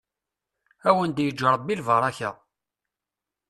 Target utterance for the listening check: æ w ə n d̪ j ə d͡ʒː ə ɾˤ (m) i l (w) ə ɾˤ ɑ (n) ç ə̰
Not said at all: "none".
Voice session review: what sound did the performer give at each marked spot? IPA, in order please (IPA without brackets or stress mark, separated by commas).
b, v, none